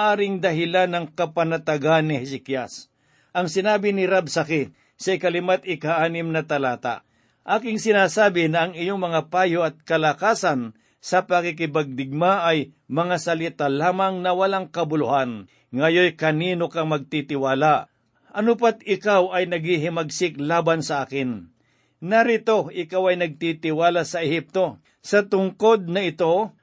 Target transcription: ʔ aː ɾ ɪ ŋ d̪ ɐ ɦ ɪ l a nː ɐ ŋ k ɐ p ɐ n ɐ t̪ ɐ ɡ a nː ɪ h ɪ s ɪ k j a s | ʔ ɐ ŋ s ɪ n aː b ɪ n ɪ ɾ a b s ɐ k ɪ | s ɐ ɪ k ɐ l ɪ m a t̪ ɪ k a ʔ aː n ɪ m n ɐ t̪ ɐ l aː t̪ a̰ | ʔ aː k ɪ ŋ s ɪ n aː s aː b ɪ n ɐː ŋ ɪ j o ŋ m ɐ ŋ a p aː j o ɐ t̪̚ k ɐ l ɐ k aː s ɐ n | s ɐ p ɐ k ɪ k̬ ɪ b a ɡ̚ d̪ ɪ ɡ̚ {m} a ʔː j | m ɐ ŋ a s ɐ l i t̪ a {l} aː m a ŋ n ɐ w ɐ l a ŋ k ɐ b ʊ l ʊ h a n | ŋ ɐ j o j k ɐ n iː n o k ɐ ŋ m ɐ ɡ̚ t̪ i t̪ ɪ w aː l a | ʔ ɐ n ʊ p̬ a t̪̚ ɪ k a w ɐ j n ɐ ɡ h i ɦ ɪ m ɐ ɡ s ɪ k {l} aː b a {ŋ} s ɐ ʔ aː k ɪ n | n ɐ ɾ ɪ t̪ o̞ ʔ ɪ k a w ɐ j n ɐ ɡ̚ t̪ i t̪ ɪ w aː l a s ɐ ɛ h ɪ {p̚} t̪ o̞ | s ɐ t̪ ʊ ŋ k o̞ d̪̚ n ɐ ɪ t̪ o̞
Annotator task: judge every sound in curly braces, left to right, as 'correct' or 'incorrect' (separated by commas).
correct, correct, correct, incorrect, correct